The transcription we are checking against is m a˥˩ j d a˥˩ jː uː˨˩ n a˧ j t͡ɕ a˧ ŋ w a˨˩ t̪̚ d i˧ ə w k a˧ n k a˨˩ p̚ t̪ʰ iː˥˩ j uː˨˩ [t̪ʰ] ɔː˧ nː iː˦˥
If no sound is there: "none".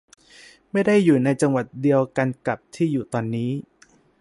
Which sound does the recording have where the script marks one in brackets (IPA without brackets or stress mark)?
t̪